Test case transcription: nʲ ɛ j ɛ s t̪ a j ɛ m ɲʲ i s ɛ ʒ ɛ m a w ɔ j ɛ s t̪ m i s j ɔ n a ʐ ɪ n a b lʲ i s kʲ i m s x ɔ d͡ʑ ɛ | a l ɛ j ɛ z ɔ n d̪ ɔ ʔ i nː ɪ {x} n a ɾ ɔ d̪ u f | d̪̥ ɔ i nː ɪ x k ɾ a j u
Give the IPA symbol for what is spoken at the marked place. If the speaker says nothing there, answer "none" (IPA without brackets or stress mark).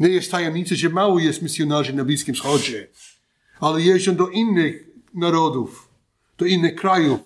x